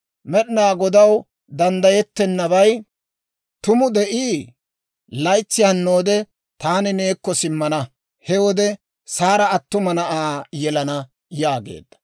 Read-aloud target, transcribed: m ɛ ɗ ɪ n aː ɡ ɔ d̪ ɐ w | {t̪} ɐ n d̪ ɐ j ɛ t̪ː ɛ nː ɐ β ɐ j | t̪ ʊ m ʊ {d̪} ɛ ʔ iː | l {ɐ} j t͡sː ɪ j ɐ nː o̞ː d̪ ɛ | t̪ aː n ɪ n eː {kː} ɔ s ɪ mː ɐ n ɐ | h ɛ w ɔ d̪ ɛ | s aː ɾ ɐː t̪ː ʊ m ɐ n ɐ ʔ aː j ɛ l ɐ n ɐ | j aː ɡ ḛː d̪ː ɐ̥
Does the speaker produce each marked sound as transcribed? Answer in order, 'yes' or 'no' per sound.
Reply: no, yes, yes, yes

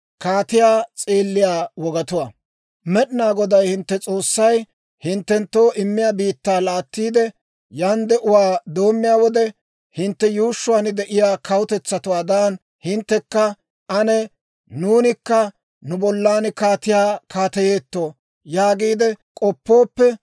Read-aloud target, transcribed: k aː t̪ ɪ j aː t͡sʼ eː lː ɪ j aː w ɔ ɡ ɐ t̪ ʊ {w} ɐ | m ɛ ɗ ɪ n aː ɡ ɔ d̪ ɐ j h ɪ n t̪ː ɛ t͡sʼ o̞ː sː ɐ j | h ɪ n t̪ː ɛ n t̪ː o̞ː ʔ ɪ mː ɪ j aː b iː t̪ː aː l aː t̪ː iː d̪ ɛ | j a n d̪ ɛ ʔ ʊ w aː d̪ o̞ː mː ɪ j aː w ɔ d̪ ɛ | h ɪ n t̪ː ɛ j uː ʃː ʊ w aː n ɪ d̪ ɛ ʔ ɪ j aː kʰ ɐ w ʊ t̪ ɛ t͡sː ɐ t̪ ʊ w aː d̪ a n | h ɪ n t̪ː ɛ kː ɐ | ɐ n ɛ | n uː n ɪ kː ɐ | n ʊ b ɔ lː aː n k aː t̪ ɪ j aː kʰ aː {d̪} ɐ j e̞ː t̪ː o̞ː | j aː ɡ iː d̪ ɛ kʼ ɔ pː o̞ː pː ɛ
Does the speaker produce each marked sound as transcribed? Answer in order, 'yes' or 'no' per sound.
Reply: yes, no

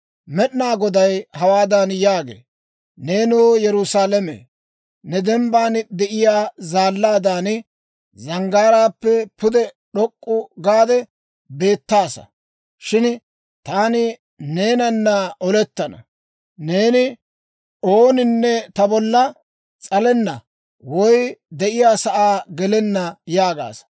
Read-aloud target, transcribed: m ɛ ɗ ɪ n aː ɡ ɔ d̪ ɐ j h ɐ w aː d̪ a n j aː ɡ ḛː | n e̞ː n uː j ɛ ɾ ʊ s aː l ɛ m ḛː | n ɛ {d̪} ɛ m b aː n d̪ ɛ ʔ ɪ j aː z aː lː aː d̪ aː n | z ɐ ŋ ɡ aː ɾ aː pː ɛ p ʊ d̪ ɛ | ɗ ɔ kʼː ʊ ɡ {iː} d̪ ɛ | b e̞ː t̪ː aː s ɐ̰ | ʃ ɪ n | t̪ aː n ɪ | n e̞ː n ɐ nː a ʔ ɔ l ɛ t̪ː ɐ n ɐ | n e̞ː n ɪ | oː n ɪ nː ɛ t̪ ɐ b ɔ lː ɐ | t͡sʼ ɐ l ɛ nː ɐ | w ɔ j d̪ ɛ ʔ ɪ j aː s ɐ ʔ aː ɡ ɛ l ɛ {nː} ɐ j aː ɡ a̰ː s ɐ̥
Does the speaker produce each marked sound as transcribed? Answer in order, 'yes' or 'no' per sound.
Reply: yes, no, yes

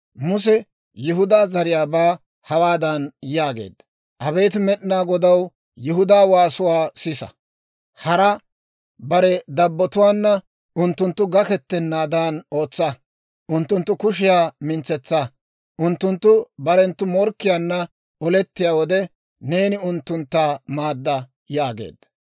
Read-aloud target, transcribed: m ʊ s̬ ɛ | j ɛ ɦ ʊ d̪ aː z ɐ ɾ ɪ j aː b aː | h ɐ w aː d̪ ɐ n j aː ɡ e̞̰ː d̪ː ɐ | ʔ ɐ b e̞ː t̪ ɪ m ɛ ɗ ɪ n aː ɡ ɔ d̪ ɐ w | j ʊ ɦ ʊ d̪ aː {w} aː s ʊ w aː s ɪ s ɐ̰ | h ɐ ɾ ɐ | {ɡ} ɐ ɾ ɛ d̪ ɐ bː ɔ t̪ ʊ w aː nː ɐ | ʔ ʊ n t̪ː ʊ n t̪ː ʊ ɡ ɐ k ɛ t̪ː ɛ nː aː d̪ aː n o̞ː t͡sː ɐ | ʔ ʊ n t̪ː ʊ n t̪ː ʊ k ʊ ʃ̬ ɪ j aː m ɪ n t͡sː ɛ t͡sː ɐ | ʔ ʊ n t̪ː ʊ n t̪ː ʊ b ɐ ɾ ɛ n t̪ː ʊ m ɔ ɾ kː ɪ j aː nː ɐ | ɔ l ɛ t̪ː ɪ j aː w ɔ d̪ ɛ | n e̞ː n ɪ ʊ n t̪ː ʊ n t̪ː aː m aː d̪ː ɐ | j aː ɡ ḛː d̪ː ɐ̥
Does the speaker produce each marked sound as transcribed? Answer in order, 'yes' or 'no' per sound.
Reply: yes, no

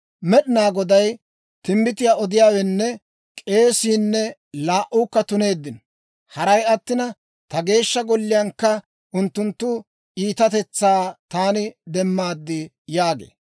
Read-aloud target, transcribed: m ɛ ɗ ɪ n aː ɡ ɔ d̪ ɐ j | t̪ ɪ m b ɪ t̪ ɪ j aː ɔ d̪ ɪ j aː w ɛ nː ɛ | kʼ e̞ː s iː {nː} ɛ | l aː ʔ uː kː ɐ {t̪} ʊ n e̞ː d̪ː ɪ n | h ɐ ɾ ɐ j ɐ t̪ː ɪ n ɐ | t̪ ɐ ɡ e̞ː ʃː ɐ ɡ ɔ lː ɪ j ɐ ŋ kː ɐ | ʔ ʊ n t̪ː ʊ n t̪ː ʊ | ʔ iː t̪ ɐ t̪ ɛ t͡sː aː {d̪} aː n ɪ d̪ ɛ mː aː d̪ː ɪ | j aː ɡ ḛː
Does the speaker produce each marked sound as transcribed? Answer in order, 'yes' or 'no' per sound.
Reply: yes, yes, no

